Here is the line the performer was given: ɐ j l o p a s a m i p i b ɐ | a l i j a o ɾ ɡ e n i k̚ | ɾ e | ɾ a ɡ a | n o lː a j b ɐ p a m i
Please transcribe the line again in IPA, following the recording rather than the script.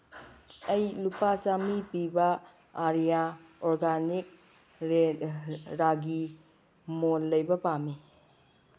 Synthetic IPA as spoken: ɐ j l u p a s a m i p i b ɐ | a ɾ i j a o ɾ ɡ a n i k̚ | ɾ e | ɾ a ɡ i | m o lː ɐ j b ɐ p a m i